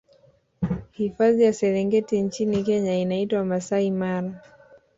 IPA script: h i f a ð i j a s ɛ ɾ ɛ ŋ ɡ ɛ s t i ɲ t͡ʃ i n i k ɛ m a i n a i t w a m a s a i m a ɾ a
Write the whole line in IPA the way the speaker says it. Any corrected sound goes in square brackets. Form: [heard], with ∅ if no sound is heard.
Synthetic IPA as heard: h i f a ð i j a s ɛ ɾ ɛ ŋ ɡ ɛ [∅] t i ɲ t͡ʃ i n i k ɛ [ɲ] a i n a i t w a m a s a i m a ɾ a